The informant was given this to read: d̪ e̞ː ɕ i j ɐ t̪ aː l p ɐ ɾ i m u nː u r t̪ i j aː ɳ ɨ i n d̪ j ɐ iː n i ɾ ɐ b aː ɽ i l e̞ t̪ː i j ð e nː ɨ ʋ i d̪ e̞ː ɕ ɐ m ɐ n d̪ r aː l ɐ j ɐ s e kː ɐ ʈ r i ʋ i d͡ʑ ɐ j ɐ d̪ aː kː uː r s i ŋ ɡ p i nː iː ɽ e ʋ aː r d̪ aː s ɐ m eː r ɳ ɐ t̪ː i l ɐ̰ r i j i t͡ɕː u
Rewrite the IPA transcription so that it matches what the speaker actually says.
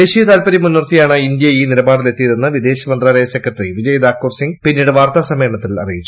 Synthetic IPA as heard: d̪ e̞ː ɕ i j ɐ t̪ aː l p ɐ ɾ i m u nː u r t̪ i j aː ɳ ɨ i n d̪ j ɐ iː n i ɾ ɐ b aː ɽ i l e̞ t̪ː i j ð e nː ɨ ʋ i d̪ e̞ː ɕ ɐ m ɐ n d̪ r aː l ɐ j ɐ s e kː ɐ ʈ r i ʋ i d͡ʑ ɐ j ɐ d̪ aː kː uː r s i ŋ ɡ p i nː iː ɽ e ʋ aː r t̪ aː s ɐ m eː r ɳ ɐ t̪ː i l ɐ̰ r i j i t͡ɕː u

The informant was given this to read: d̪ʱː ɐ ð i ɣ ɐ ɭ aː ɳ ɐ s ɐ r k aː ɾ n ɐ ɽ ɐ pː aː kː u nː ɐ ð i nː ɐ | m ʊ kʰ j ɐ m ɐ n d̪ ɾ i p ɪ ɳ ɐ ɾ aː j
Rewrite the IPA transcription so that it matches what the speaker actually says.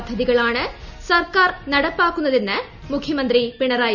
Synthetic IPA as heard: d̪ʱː ɐ ð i ɣ ɐ ɭ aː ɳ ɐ s ɐ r k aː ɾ n ɐ ɽ ɐ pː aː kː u nː ɐ ð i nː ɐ | m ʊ kʰ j ɐ m ɐ n d̪ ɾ i p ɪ ɳ ɐ ɾ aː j

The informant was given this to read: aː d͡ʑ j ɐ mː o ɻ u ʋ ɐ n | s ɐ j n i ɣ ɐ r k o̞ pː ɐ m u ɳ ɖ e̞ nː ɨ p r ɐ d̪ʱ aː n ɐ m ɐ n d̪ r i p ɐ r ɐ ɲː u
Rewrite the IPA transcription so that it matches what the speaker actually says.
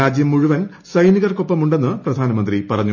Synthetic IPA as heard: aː d͡ʑ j ɐ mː u ɻ u ʋ ɐ n | s ɐ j n i ɣ ɐ r k o̞ pː ɐ m u ɳ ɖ e̞ nː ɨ p r ɐ d̪ʱ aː n ɐ m ɐ n d̪ r i p ɐ r ɐ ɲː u

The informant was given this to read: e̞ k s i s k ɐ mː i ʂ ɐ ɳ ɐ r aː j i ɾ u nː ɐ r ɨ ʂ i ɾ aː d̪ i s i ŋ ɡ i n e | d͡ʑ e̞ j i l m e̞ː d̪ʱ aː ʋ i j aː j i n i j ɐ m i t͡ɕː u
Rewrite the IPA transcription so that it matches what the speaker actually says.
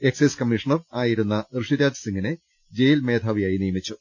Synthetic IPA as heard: e̞ k s e s k ɐ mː i ʂ ɐ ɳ ɐ r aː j i ɾ u nː ɐ r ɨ ʂ i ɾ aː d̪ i s i ŋ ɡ i n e | d͡ʑ e̞ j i l m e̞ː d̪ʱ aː ʋ i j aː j i n i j ɐ m i t͡ɕː u

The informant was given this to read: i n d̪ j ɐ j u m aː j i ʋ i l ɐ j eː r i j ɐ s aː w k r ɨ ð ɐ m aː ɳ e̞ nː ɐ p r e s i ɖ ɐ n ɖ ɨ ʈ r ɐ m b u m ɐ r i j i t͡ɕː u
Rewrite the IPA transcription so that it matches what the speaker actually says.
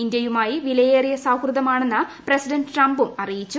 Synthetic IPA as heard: i n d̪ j ɐ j u m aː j i ʋ i l ɐ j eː r i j ɐ s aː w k r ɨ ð ɐ m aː ɳ e̞ nː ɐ p r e s i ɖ ɐ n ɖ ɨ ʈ r ɐ m b u m ɐ r i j i t͡ɕː u

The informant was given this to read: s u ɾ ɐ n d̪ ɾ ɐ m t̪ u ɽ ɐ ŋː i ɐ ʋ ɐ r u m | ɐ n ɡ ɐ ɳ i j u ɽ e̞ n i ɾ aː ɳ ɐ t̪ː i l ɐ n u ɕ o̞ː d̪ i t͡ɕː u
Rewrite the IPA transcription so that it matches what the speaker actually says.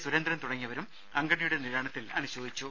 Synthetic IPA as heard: s u ɾ ɐ n d̪ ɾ ɐ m t̪ u ɽ ɐ ŋː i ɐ ʋ ɐ ɾ u m | ɐ ŋ ɡ ɐ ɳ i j u ɽ e̞ n i ɾ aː ɳ ɐ t̪ː i l ɐ n u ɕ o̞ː d̪ i t͡ɕː u

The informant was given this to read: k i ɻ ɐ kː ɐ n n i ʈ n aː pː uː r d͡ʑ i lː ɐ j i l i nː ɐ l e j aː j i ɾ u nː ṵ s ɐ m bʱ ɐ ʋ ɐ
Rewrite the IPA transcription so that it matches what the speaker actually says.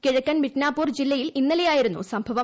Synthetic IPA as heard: k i ɻ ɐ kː ɐ n m i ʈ n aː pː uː r d͡ʑ i lː ɐ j i l i nː ɐ l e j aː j i ɾ u nː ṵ s ɐ m bʱ ɐ ʋ ɐ

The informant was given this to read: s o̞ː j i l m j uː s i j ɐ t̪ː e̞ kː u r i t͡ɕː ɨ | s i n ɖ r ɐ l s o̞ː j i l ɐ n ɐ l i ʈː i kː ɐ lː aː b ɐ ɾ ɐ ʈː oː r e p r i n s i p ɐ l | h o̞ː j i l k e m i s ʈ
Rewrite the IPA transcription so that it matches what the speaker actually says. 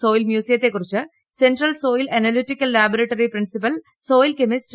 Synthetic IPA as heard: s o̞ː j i l m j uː s i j ɐ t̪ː e̞ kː u r i t͡ɕː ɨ | s e n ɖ r ɐ l s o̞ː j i l ɐ n ɐ l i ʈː i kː ɐ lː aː b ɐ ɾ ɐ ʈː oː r i p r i n s i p ɐ l | s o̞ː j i l k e m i s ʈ

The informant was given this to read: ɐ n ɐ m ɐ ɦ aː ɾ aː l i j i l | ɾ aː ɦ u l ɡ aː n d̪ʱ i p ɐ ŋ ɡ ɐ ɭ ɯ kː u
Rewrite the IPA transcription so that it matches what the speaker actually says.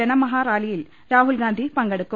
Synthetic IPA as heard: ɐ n ɐ m ɐ ɦ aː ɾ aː l i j i l | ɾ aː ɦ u l ɡ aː n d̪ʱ i p ɐ ŋ ɡ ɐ ɽ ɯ kː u

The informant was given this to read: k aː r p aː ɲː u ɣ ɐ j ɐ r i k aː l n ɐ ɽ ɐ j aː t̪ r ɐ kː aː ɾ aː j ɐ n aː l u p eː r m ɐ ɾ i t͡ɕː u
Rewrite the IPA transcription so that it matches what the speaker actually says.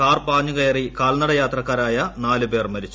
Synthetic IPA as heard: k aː r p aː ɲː u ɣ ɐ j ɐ r i k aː l n ɐ ɽ ɐ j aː t̪ r ɐ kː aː ɾ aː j ɐ n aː l u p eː r m ɐ ɾ i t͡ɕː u

